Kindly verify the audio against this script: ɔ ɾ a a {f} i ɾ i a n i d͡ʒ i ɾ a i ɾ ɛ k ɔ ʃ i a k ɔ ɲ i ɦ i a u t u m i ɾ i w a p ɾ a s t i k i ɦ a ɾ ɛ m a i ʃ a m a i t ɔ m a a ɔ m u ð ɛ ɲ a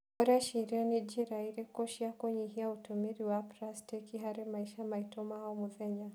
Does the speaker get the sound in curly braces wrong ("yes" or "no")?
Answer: yes